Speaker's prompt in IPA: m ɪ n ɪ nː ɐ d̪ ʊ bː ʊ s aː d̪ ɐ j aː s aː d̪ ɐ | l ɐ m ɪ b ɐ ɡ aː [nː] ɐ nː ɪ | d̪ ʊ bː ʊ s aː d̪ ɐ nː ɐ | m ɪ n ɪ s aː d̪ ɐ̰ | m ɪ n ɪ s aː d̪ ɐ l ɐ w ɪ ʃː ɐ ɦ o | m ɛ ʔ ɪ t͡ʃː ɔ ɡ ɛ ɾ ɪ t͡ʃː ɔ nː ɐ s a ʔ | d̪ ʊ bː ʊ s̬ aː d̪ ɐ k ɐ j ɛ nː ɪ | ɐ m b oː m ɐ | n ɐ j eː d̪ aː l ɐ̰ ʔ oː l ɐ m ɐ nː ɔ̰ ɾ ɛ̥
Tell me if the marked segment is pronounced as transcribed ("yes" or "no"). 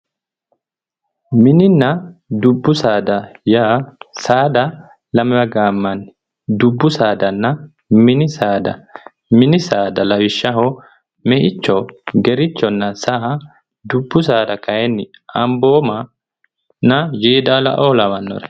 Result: no